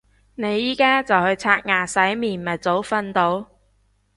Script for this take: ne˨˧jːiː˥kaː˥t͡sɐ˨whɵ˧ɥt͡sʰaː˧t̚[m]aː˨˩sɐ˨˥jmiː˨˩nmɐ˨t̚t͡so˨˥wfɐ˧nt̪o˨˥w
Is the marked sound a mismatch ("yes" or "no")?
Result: yes